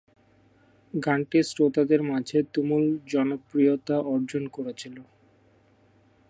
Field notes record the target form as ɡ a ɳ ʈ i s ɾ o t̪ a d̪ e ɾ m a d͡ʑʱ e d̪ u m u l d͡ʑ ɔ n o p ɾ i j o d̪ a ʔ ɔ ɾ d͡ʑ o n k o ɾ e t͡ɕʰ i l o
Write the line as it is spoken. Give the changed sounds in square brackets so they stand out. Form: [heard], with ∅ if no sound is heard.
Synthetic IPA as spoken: ɡ a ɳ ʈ i s ɾ o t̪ a d̪ e ɾ m a d͡ʑʱ e [t̪] u m u l d͡ʑ ɔ n o p ɾ i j o [t̪] a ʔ ɔ ɾ d͡ʑ o n k o ɾ e t͡ɕʰ i l o